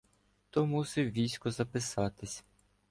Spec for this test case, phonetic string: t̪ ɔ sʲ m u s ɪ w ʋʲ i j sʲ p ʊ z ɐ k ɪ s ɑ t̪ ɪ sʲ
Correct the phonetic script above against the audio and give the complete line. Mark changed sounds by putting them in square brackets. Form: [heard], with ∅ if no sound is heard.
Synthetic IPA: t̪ ɔ [∅] m u s ɪ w ʋʲ i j sʲ [k] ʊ z ɐ [p] ɪ s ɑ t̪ ɪ sʲ